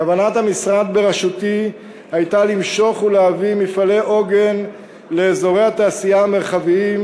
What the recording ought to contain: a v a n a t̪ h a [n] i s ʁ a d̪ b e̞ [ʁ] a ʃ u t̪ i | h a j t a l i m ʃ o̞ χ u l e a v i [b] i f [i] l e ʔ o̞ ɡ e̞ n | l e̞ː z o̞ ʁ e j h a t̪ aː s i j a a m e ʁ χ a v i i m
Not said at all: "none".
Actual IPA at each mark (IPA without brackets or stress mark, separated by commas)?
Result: m, ʁ, m, a